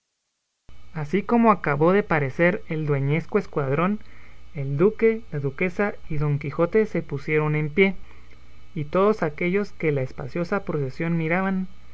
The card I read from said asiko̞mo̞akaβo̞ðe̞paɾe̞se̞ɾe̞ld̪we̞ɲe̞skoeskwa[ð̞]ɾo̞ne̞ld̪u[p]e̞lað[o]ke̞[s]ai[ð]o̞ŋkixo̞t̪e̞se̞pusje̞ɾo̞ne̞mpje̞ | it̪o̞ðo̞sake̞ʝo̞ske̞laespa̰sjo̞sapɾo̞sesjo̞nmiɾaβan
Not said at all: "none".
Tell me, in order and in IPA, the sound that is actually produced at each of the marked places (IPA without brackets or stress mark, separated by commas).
ð̞, k, u, s, ð